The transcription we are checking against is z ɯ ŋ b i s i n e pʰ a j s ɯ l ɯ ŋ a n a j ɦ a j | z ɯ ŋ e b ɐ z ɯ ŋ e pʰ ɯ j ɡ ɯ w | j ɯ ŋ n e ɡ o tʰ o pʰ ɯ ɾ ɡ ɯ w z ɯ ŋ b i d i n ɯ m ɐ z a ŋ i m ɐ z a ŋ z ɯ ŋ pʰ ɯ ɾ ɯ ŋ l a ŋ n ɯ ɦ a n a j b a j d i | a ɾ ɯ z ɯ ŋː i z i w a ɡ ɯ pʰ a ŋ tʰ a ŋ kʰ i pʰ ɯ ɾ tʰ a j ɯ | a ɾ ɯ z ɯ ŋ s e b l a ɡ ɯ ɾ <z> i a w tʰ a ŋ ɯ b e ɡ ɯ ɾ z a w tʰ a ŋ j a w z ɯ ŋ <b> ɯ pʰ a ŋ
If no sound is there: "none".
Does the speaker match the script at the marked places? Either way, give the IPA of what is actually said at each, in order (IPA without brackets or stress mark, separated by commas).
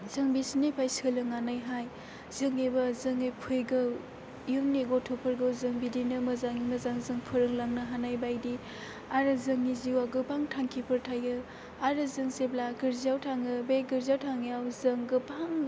z, ɡ